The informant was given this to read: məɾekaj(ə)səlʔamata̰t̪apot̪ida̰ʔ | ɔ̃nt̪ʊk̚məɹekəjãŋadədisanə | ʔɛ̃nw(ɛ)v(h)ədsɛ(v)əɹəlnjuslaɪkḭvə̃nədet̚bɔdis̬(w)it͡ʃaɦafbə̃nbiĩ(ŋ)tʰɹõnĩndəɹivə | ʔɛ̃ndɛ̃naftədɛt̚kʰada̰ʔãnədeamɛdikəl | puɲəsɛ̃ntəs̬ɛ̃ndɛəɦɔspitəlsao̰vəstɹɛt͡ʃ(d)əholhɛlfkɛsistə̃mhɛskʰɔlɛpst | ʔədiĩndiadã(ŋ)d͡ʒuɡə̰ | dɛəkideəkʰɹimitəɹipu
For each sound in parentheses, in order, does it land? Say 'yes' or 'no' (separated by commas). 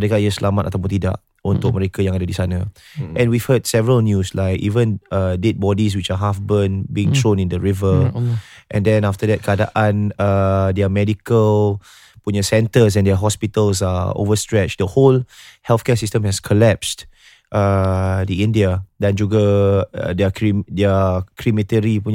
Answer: yes, no, yes, yes, yes, yes, yes, no